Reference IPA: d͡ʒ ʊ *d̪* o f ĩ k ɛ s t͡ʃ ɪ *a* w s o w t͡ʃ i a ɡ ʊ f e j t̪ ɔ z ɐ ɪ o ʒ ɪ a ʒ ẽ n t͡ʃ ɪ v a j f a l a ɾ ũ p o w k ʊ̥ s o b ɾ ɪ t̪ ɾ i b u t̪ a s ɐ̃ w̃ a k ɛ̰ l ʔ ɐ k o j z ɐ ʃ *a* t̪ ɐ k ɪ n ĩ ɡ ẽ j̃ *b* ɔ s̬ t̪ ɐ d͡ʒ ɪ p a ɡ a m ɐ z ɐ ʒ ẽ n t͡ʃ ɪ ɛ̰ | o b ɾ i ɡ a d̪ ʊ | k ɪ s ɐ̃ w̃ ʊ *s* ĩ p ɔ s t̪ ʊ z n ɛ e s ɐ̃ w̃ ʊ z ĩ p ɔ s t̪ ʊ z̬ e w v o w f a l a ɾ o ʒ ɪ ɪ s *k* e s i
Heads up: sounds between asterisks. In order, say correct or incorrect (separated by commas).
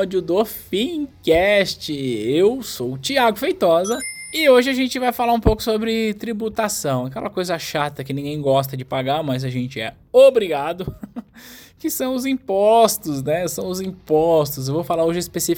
correct, incorrect, correct, incorrect, incorrect, incorrect